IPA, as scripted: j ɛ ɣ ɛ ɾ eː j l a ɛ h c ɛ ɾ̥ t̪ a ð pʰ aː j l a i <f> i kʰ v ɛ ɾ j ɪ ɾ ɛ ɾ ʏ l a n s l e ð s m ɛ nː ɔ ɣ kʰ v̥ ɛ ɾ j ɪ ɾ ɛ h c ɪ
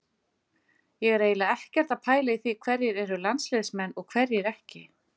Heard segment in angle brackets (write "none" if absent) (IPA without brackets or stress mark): θ